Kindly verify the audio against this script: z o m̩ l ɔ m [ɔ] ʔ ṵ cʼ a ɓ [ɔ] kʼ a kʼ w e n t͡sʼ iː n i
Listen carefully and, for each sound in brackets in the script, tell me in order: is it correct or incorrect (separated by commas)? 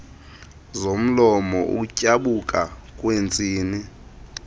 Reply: correct, incorrect